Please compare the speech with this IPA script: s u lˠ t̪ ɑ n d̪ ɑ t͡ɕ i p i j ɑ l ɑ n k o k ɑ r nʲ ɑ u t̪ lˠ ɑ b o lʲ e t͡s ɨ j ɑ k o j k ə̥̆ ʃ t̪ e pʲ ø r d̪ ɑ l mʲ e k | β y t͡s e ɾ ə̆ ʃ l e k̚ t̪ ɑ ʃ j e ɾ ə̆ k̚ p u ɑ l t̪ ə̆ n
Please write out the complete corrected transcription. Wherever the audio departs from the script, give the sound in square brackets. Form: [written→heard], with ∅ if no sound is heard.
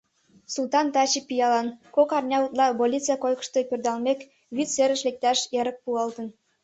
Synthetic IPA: s u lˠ t̪ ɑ n [d̪→t̪] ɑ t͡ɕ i p i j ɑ l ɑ n k o k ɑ r nʲ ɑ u t̪ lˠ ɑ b o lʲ [e→i] t͡s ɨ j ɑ k o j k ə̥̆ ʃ t̪ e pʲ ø r d̪ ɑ l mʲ e k | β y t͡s e ɾ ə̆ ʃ l e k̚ t̪ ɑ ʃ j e ɾ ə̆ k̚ p u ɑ l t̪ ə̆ n